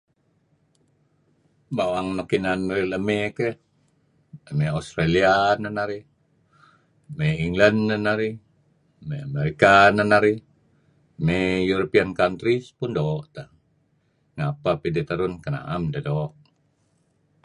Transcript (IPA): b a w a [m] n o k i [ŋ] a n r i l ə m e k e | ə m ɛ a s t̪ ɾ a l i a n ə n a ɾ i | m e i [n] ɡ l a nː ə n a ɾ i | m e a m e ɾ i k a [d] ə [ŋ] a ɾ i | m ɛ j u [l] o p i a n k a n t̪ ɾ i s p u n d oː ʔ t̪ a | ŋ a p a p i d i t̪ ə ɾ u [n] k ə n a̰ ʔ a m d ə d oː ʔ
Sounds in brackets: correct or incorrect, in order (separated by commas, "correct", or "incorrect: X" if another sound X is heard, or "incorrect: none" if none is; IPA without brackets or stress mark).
incorrect: ŋ, incorrect: n, incorrect: ŋ, incorrect: n, incorrect: n, incorrect: ɾ, correct